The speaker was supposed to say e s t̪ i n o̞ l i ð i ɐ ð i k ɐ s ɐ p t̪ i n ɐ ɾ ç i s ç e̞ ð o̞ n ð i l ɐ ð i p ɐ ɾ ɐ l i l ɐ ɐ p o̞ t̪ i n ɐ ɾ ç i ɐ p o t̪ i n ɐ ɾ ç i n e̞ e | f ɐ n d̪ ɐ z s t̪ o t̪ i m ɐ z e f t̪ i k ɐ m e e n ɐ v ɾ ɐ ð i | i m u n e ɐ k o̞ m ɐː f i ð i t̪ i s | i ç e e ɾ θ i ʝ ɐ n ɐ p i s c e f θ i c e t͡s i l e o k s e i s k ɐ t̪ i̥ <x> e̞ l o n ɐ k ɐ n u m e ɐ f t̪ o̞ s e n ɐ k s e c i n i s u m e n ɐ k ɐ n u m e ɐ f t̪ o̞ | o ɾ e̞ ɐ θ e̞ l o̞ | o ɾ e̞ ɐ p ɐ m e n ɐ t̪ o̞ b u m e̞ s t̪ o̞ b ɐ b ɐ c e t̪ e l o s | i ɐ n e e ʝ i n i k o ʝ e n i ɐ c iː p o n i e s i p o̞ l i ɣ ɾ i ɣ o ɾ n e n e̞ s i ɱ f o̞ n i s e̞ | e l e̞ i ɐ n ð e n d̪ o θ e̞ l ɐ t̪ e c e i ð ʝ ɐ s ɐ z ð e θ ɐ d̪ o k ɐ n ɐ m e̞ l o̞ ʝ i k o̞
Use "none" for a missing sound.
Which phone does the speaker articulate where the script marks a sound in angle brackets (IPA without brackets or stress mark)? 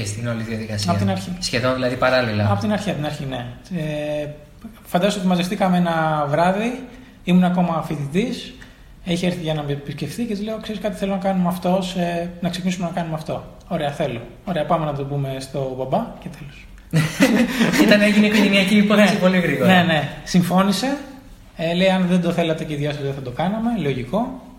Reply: θ